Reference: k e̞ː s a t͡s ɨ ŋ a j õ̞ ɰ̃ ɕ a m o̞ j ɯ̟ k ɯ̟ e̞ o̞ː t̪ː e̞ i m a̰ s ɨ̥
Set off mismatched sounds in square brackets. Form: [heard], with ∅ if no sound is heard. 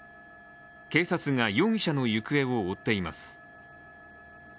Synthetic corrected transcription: k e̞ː s a t͡s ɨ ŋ a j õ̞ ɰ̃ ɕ a [n] o̞ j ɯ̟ k ɯ̟ e̞ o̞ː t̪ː e̞ i m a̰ s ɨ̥